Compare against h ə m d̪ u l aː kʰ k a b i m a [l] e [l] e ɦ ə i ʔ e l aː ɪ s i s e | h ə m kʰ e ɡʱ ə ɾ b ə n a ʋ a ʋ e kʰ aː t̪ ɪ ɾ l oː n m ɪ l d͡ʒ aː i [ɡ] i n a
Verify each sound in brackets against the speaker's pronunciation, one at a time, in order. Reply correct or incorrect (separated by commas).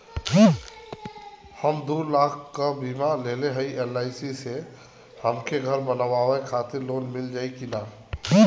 correct, correct, incorrect